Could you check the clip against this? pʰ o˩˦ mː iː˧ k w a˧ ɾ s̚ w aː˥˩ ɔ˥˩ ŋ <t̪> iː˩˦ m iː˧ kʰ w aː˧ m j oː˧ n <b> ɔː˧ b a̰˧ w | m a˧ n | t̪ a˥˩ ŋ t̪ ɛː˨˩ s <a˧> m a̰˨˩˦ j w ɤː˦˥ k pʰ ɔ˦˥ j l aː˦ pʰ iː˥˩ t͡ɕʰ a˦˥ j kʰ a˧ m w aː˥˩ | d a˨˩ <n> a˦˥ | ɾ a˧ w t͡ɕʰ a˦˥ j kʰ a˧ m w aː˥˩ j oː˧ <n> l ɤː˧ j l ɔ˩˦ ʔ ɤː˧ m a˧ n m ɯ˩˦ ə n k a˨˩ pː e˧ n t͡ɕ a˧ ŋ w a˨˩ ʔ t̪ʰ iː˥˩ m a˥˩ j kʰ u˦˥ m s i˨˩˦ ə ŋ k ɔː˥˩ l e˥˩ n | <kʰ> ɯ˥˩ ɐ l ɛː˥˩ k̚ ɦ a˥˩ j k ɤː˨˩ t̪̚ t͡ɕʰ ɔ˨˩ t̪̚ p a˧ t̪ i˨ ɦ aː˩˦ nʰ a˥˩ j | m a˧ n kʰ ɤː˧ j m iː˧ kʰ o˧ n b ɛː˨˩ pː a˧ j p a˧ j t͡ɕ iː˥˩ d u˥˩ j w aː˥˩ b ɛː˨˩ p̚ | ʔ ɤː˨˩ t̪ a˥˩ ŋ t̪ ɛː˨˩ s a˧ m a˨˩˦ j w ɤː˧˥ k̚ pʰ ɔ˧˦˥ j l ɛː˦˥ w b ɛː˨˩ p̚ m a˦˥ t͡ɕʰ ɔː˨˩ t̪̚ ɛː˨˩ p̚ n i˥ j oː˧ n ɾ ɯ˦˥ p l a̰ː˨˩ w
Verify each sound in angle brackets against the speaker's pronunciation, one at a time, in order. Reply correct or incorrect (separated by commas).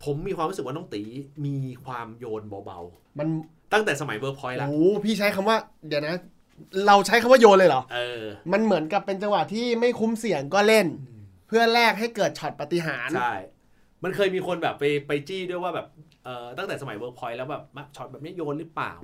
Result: correct, correct, correct, correct, correct, incorrect